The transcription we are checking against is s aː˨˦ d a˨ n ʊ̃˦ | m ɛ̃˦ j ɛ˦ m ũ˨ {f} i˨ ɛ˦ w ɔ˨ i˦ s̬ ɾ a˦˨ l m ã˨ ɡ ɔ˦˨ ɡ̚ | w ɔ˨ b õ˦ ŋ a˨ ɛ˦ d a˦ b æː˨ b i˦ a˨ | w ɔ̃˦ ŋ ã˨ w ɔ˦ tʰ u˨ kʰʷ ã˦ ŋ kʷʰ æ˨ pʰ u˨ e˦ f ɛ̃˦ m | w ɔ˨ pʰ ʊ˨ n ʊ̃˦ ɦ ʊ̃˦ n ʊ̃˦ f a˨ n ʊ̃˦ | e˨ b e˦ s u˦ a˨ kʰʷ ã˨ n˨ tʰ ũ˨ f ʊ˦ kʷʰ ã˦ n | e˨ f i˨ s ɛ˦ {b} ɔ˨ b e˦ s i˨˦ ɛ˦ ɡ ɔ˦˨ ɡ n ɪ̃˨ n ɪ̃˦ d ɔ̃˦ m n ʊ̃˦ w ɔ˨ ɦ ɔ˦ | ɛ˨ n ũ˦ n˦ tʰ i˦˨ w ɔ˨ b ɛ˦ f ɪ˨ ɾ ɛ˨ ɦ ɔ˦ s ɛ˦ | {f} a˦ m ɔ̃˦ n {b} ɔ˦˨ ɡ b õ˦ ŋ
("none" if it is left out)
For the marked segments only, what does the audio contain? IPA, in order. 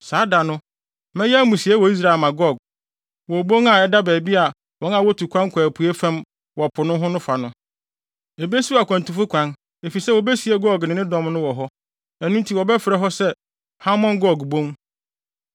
s, w, h, ɡ

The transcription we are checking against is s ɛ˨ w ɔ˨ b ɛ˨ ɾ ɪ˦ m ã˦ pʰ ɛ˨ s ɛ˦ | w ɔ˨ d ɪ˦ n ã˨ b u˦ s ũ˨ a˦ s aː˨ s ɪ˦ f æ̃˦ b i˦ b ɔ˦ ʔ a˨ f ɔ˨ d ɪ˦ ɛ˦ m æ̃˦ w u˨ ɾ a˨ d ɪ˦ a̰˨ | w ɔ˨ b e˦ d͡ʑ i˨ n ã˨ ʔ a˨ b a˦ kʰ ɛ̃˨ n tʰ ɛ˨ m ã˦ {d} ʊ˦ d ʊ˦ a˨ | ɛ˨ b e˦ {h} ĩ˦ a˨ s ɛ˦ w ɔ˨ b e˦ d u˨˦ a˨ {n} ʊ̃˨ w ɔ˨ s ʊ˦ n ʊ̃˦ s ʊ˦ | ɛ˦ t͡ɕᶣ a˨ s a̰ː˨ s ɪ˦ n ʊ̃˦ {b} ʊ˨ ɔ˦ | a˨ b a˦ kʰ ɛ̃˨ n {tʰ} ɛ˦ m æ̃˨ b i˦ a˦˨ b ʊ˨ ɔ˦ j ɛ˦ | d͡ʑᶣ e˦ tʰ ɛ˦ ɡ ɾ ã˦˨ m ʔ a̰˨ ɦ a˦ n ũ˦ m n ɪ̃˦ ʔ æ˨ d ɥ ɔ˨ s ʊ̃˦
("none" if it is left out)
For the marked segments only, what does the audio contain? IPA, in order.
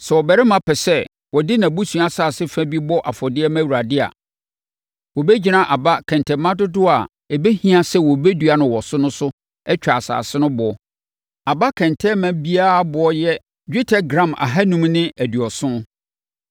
d, h, n, b, tʰ

